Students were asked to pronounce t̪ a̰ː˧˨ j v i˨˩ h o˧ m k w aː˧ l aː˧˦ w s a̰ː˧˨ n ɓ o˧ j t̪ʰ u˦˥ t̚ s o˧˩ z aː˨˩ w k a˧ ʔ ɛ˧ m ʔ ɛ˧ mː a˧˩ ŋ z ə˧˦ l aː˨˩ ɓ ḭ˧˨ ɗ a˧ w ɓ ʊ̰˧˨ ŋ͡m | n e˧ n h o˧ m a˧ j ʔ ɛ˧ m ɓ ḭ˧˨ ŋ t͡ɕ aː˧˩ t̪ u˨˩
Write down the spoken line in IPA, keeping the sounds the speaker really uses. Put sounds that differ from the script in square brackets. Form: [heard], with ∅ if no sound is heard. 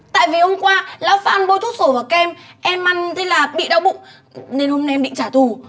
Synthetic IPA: t̪ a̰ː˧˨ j v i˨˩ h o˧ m k w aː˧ l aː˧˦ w [f] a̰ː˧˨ n ɓ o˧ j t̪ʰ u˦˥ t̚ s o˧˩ [v] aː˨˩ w k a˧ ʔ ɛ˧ m ʔ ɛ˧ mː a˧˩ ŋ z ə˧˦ l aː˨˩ ɓ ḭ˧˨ ɗ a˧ w ɓ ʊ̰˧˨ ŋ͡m | n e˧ n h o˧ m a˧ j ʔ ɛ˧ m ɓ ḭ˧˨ ŋ t͡ɕ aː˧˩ t̪ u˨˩